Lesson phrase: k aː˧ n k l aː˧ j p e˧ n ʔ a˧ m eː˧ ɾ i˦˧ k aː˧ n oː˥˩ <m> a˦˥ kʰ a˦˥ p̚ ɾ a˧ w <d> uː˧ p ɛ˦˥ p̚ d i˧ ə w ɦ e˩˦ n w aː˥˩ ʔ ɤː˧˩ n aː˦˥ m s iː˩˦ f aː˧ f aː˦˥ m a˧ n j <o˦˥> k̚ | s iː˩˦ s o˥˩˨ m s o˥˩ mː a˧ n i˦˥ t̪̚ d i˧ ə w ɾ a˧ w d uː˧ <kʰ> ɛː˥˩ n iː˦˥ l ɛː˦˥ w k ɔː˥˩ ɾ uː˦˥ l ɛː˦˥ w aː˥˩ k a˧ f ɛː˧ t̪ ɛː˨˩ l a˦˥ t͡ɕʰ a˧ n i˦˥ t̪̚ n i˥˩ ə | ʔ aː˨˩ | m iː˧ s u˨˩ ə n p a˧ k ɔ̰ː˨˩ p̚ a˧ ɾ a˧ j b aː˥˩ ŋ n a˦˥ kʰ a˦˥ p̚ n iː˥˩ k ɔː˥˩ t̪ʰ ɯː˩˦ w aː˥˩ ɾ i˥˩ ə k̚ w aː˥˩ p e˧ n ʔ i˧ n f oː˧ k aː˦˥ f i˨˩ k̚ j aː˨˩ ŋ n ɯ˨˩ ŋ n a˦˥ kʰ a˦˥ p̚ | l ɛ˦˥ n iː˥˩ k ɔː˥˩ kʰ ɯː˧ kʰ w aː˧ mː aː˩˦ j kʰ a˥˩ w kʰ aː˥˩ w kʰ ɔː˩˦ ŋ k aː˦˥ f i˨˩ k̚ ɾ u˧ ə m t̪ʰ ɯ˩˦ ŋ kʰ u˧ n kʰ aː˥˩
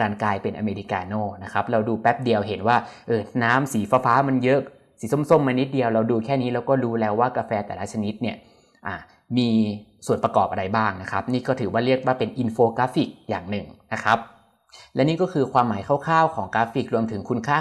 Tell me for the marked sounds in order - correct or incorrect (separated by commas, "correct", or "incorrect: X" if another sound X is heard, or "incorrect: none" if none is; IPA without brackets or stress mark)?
incorrect: n, correct, incorrect: ɤ˦˥, correct